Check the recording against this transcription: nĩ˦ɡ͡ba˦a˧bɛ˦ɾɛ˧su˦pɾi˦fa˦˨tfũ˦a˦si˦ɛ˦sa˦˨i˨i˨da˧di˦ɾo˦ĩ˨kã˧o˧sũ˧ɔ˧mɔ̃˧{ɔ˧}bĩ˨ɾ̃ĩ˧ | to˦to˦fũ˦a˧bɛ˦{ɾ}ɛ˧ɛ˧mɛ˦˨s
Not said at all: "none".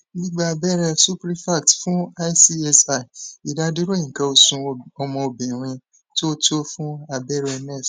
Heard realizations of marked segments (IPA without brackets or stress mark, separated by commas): o˧, ɾ